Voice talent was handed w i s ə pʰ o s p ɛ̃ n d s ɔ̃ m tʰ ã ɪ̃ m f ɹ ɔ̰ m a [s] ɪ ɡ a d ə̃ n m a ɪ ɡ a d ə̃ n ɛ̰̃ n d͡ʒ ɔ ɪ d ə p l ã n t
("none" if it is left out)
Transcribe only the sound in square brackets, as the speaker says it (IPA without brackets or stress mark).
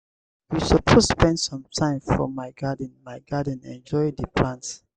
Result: none